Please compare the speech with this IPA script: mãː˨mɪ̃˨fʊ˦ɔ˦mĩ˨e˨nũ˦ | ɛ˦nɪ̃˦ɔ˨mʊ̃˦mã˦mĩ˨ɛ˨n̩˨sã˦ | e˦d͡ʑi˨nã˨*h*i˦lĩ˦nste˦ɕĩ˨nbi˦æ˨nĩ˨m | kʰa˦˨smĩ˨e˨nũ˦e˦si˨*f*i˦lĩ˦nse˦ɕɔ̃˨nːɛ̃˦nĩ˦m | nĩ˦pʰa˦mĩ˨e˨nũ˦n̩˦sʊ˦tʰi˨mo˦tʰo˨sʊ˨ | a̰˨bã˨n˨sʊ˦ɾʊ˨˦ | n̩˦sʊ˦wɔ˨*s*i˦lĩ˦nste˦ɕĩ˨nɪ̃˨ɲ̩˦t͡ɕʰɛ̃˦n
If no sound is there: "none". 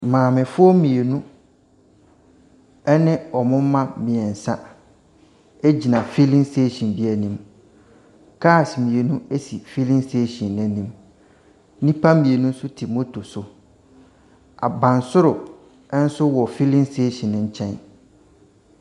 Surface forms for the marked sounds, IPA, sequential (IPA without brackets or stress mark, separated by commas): f, f, f